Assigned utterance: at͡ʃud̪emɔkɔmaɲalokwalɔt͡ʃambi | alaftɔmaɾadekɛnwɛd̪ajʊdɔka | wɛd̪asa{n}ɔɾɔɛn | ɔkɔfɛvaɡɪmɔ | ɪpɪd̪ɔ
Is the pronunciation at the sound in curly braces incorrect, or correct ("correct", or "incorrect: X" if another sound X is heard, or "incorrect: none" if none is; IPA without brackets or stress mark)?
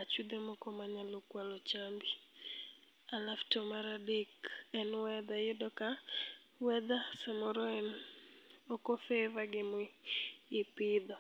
incorrect: m